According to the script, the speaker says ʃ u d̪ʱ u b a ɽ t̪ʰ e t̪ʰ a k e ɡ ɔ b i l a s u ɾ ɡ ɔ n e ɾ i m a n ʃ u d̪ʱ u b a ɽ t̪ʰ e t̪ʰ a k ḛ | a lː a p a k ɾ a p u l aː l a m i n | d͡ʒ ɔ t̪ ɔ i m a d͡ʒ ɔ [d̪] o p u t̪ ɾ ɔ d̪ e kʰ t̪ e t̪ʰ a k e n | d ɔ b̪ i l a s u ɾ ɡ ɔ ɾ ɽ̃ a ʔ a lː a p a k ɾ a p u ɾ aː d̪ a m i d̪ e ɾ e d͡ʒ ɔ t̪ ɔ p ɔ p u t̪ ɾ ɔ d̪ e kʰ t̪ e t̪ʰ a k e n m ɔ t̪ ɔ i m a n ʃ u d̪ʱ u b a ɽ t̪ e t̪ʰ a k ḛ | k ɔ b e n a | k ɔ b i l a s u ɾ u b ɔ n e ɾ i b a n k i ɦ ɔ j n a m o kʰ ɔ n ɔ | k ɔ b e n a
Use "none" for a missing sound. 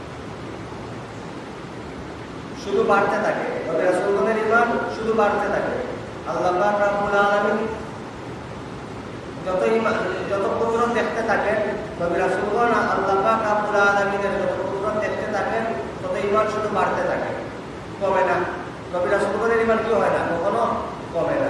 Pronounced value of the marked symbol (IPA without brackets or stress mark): t̪